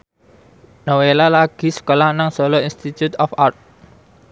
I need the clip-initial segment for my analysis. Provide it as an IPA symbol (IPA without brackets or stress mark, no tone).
n